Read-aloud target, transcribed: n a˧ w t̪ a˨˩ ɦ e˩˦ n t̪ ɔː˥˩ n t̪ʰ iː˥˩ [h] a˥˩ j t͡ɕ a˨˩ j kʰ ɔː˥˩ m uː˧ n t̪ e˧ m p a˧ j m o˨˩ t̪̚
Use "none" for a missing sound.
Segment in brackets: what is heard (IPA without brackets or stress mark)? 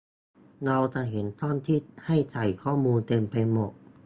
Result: h